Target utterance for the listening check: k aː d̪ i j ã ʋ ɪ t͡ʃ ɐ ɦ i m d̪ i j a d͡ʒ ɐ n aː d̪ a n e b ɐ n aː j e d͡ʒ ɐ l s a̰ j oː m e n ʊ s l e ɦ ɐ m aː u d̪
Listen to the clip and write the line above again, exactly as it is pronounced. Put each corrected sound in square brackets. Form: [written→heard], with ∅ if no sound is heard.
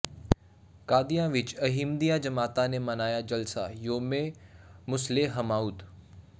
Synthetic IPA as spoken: k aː d̪ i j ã ʋ ɪ t͡ʃ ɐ ɦ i m d̪ i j a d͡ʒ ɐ [n→m] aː [d̪→t̪] a n e [b→m] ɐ n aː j [e→a] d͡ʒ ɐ l s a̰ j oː m e [n→m] ʊ s l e ɦ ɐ m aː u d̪